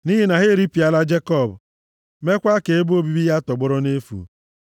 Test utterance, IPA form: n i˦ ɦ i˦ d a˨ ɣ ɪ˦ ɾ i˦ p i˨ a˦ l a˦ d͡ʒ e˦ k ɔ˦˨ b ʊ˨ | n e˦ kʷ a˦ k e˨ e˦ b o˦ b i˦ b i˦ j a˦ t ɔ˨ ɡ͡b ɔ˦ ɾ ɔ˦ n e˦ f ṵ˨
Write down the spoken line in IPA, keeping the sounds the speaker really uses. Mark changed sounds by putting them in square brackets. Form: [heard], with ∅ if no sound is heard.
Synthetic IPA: n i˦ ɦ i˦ [n] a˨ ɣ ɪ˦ ɾ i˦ p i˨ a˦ l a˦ d͡ʒ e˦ k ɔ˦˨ b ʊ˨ | [m] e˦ kʷ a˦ k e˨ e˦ b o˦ b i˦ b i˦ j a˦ t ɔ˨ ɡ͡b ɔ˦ ɾ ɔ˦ n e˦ f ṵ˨